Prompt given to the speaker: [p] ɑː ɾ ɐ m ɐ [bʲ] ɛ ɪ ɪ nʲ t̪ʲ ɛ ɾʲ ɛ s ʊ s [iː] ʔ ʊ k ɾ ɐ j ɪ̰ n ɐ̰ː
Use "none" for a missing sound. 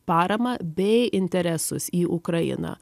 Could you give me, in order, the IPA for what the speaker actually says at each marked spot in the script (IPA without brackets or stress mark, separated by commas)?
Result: p, bʲ, iː